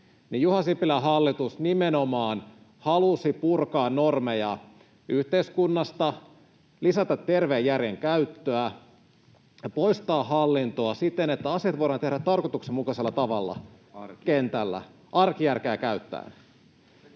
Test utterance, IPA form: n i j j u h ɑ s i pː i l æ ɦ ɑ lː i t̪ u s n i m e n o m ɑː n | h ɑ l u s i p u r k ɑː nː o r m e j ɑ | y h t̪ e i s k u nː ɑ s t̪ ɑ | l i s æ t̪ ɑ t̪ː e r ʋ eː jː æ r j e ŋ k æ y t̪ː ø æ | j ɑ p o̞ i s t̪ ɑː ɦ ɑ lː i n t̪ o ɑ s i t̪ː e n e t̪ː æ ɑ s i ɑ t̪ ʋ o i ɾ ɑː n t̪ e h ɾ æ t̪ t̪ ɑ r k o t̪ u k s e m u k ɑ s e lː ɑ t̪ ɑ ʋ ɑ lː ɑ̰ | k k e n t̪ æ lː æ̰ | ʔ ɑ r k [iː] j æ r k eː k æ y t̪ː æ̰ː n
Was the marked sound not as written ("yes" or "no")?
yes